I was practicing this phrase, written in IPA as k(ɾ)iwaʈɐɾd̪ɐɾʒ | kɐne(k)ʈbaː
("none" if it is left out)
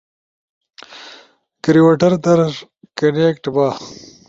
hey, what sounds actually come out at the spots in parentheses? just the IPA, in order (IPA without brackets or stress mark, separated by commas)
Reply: ɾ, k